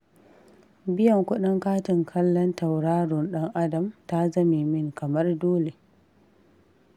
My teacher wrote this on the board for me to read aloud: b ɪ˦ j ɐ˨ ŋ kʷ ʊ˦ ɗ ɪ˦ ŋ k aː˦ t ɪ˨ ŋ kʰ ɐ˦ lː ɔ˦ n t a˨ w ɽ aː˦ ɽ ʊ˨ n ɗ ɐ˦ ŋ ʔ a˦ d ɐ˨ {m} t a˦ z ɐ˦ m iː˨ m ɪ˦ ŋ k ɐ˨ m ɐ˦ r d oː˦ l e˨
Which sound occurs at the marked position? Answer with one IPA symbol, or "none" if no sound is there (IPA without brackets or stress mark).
m